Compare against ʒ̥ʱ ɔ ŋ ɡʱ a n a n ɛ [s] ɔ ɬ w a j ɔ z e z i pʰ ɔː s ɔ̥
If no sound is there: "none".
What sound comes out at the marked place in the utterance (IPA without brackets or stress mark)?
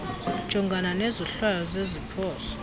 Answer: z